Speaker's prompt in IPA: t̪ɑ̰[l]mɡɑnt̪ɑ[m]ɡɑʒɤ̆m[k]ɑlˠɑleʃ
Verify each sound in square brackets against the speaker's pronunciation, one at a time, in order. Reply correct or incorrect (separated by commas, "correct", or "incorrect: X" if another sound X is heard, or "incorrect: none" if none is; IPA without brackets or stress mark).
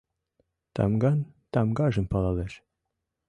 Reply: incorrect: none, correct, incorrect: p